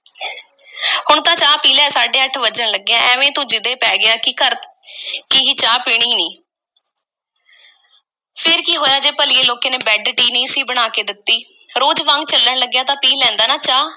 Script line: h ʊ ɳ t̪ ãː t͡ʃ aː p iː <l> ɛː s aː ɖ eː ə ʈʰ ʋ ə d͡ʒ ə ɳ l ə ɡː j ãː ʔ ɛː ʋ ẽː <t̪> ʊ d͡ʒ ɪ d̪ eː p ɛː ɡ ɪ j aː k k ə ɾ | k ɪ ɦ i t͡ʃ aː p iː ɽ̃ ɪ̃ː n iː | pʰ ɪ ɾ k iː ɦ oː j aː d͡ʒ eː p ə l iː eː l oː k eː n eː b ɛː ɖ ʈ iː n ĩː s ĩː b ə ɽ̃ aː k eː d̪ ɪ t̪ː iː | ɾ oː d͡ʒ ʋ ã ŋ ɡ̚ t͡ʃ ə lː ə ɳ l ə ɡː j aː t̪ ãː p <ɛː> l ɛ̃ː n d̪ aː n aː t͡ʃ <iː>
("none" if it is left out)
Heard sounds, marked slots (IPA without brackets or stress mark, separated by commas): l, t̪, iː, aː